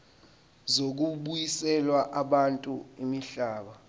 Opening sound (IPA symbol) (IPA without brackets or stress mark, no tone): z